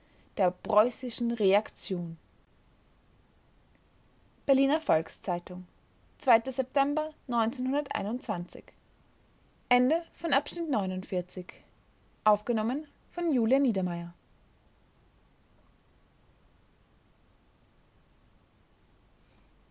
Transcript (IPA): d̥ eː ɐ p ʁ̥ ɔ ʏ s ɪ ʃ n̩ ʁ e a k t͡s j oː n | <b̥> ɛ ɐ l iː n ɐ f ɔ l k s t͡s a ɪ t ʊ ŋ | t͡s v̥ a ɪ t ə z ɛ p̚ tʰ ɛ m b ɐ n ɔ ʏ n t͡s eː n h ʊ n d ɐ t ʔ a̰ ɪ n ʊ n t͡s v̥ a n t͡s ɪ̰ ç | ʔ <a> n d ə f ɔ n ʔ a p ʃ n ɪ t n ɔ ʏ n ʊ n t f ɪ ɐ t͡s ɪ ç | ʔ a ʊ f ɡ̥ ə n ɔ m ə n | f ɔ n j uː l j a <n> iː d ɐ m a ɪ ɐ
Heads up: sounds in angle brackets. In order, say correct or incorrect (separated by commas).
correct, incorrect, correct